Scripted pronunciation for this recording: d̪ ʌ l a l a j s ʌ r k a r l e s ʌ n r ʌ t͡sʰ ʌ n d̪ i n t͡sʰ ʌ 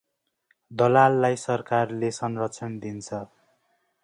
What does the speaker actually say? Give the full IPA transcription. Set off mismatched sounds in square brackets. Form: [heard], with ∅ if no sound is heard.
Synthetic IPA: d̪ ʌ l a [lː] a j s ʌ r k a r l e s ʌ n r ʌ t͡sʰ ʌ n d̪ i n t͡sʰ ʌ